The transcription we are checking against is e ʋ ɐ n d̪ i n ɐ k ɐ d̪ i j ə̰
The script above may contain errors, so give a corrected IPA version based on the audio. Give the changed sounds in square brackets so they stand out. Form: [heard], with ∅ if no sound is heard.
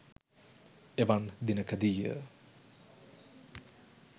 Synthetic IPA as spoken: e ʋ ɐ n d̪ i n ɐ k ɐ d̪ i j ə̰